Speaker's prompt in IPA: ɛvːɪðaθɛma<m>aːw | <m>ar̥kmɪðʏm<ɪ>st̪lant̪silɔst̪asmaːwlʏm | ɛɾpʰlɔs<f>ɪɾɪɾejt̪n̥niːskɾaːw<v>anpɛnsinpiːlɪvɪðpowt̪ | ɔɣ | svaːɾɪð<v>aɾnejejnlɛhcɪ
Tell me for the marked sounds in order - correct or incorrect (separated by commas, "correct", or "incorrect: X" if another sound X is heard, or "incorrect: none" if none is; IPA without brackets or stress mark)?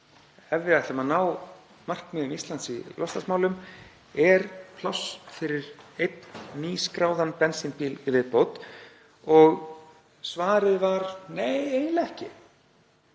incorrect: n, correct, incorrect: i, correct, incorrect: ð, correct